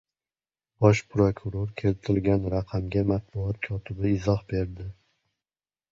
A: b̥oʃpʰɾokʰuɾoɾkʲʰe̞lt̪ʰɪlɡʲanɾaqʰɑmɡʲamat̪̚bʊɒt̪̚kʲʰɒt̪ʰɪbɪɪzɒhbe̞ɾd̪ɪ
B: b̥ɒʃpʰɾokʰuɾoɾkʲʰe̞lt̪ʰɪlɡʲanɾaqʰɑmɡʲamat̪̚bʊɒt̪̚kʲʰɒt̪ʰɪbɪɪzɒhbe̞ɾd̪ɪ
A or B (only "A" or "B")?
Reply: B